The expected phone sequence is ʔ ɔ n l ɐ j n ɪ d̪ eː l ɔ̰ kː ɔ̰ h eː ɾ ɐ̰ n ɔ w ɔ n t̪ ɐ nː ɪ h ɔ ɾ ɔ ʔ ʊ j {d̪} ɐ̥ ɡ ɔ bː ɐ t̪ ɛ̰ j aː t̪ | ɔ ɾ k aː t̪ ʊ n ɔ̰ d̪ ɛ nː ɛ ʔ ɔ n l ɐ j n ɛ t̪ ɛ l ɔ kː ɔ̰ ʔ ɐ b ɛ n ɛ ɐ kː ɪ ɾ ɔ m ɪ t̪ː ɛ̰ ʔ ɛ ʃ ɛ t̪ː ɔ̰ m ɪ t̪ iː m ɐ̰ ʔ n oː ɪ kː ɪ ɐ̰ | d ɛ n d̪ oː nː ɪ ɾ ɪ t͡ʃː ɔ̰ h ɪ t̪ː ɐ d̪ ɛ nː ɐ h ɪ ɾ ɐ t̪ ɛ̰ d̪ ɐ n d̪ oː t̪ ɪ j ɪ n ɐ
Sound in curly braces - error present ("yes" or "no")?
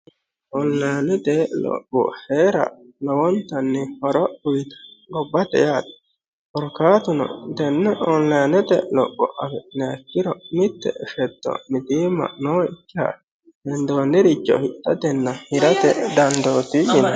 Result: yes